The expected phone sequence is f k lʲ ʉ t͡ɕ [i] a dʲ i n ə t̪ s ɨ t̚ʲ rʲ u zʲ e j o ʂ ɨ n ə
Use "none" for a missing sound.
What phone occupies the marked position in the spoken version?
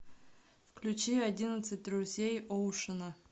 i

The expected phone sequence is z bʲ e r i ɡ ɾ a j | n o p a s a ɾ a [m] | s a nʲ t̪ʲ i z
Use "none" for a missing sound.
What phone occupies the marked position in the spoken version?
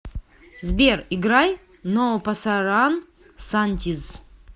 n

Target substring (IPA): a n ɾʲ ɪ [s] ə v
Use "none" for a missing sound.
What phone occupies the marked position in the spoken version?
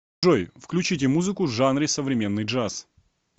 s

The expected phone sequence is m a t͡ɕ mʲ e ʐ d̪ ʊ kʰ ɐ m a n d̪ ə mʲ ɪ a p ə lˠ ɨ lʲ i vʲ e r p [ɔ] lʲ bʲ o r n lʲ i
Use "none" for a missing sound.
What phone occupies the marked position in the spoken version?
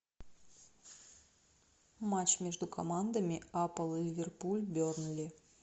u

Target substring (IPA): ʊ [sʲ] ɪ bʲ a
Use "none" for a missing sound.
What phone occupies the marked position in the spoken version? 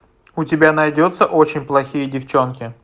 tʲ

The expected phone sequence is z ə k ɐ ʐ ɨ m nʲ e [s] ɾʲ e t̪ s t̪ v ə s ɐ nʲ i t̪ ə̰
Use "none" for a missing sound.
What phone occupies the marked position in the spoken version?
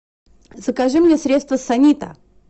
s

